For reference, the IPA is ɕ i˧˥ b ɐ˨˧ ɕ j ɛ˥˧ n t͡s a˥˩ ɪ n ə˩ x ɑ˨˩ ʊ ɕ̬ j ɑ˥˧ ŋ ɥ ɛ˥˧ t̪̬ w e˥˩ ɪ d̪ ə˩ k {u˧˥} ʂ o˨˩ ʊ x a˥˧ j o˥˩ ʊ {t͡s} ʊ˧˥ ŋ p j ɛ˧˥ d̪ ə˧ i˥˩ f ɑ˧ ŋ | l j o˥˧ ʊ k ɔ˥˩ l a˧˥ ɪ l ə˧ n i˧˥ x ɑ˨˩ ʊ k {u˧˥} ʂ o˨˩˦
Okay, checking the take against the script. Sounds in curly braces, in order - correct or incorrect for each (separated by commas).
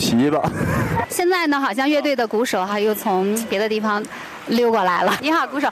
correct, incorrect, correct